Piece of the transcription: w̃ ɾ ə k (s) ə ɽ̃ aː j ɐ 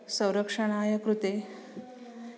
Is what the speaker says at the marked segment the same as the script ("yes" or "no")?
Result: no